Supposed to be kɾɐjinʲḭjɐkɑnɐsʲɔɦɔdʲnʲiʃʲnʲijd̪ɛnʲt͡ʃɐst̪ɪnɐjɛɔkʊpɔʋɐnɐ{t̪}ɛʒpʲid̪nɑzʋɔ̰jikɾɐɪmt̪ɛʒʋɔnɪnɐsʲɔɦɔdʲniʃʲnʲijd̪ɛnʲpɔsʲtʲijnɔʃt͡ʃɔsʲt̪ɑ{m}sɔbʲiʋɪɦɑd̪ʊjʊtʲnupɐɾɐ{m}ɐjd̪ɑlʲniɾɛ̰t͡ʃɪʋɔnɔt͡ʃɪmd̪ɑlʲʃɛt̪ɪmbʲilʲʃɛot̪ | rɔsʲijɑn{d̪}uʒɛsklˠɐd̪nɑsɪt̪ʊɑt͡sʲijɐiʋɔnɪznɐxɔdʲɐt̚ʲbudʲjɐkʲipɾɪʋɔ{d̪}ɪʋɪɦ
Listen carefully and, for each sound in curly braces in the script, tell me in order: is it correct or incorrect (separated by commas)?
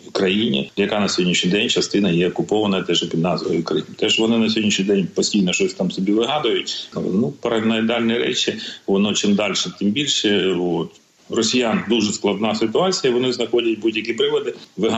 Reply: correct, correct, incorrect, correct, correct